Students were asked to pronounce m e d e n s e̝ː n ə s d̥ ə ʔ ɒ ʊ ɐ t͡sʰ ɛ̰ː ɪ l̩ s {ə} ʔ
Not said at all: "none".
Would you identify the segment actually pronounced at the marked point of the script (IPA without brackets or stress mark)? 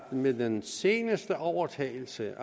ə